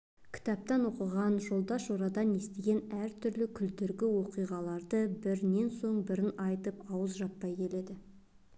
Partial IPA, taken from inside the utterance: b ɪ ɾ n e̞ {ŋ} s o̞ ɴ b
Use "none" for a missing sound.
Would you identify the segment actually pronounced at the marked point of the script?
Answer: n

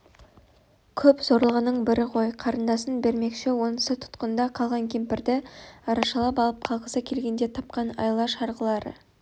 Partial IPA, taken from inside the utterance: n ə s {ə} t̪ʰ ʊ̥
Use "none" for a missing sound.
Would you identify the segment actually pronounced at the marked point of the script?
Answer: ə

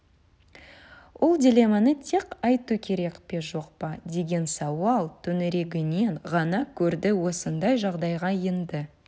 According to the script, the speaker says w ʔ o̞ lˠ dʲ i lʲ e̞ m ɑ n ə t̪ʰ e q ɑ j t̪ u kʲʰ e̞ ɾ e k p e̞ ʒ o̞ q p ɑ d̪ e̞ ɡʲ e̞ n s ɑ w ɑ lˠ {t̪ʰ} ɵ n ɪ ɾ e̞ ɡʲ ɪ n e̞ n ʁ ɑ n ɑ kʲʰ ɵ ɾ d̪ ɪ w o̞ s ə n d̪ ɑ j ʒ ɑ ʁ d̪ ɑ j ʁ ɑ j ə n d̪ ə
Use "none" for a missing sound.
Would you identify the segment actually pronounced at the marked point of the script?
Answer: t̪ʰ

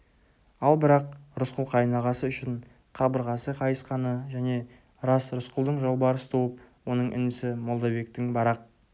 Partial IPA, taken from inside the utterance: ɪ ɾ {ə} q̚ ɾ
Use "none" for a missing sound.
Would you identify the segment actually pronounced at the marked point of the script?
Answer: ɑ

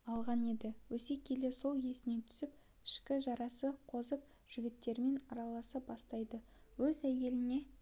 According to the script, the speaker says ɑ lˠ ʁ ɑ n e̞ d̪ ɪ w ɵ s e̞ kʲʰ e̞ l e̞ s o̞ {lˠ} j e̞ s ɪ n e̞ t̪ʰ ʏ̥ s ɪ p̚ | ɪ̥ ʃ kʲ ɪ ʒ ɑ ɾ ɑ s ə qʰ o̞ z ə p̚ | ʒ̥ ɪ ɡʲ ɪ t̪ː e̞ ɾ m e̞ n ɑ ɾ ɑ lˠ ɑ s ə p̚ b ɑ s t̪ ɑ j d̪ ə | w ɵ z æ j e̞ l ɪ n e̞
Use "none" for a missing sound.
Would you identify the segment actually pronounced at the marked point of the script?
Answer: lˠ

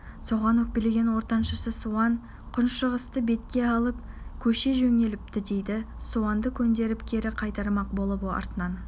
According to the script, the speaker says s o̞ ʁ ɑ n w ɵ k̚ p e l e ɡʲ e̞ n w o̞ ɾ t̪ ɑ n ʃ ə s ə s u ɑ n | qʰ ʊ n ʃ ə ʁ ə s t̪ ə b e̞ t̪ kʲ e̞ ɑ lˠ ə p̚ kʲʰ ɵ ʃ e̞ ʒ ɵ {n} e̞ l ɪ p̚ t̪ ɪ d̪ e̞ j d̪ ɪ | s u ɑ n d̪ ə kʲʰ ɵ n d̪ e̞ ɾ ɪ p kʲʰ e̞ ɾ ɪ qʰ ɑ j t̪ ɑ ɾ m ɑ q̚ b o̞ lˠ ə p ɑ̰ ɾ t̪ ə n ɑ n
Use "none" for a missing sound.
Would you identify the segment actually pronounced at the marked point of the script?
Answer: ŋ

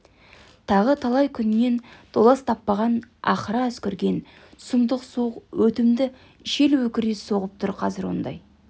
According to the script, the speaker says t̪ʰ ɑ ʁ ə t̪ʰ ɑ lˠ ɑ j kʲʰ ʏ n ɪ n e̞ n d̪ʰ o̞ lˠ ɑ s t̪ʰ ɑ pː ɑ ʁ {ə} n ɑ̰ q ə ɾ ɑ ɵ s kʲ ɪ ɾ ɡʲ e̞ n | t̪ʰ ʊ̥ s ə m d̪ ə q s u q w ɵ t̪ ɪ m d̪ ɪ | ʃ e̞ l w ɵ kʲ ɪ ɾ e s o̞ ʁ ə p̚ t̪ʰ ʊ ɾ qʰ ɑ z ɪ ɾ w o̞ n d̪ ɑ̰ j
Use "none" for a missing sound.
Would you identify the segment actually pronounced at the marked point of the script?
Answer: ɑ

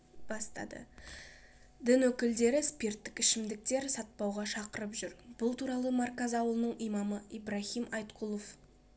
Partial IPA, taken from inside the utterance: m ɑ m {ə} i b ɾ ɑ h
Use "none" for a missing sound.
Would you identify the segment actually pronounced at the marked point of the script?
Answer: ə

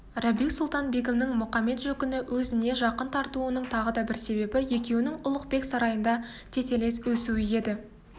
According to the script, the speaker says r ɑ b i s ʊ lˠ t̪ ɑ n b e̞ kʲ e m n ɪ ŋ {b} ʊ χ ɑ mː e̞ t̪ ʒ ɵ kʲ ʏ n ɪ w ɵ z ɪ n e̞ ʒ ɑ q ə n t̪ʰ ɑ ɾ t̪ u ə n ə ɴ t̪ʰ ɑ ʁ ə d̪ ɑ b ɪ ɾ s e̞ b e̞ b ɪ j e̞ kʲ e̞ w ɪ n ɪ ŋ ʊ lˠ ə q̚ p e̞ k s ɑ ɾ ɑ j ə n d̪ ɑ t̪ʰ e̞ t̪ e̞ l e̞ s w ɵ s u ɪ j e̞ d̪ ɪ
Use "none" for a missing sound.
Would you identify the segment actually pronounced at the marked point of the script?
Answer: m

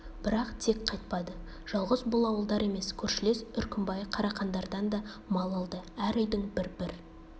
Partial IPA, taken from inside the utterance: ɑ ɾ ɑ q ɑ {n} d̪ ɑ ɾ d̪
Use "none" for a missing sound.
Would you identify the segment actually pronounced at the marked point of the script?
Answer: n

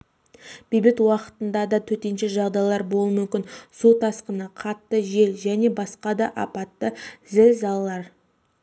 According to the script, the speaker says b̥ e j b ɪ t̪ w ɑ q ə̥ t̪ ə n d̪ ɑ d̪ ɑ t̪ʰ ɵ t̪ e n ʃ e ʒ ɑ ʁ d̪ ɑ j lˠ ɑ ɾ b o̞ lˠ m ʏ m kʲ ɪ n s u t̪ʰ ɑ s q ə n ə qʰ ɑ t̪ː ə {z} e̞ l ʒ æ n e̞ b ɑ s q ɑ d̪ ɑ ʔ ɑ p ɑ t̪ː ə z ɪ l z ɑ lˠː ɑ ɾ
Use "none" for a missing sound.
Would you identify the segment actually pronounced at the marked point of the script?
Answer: ʒ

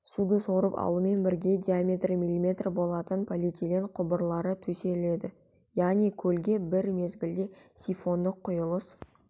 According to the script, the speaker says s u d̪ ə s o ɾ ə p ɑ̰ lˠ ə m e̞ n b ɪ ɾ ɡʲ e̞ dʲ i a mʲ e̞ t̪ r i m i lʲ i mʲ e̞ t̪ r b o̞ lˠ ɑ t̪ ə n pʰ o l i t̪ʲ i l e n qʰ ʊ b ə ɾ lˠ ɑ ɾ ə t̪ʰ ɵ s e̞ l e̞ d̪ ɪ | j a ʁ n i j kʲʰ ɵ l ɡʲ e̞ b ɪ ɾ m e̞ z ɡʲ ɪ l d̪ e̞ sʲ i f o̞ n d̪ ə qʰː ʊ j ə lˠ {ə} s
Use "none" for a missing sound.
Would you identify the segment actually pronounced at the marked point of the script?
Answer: ə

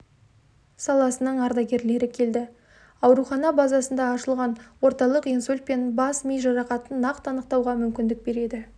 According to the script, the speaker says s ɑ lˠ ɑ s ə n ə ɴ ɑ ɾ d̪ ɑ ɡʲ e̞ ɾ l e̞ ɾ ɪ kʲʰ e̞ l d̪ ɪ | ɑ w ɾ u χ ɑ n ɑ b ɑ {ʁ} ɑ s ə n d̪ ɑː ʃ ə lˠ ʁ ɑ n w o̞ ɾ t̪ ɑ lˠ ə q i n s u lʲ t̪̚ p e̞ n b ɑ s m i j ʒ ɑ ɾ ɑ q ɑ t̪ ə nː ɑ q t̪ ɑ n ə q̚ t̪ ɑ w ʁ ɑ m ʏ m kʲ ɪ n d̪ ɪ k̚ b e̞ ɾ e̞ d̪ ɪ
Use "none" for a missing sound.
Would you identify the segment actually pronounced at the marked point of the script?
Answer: z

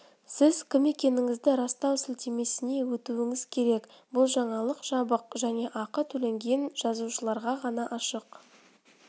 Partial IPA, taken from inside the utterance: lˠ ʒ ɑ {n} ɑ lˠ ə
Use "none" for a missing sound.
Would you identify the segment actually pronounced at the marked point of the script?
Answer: ɴ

